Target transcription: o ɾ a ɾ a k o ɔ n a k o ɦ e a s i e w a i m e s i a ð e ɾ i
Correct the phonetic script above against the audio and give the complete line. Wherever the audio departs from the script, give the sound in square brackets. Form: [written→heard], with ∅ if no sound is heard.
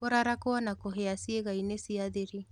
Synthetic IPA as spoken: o ɾ a ɾ a k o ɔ n a k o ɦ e a s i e [w→ɣ] a i [m→n] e s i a ð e ɾ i